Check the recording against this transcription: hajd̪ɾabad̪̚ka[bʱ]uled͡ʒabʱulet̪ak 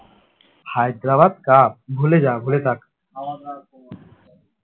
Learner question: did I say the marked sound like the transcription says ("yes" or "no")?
yes